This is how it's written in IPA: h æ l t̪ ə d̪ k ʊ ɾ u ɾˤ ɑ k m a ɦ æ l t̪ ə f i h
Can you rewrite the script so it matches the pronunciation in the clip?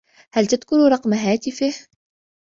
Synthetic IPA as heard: h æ l t̪ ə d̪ k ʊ ɾ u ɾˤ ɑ q m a ɦ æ t̪ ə f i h